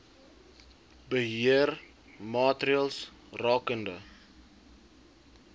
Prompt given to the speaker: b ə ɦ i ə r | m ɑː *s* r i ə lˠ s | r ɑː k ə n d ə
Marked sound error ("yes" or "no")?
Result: yes